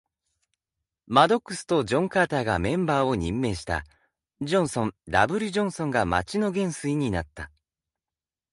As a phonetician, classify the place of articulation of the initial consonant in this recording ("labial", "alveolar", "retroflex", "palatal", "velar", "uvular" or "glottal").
labial